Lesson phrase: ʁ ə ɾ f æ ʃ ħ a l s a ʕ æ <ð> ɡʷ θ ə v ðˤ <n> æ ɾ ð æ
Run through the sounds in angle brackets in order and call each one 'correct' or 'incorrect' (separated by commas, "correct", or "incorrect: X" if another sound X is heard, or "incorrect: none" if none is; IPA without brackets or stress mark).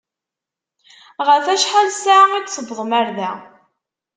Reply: incorrect: none, incorrect: m